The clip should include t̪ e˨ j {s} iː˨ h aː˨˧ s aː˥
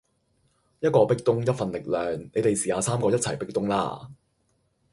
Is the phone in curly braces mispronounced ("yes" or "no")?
no